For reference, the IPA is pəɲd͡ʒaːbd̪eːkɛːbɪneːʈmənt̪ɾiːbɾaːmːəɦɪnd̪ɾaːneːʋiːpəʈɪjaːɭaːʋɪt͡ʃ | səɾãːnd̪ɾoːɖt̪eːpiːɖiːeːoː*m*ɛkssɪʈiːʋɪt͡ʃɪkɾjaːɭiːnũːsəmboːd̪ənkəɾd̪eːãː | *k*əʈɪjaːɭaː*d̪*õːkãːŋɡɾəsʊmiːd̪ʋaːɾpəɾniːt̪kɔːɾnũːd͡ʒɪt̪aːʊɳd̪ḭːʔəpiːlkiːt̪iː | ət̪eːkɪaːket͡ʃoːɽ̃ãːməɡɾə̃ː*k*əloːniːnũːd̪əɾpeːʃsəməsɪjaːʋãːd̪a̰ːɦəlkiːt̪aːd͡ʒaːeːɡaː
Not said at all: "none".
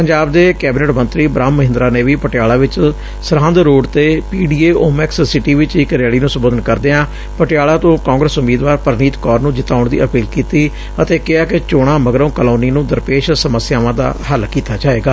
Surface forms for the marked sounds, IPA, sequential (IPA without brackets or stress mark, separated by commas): m, p, t̪, k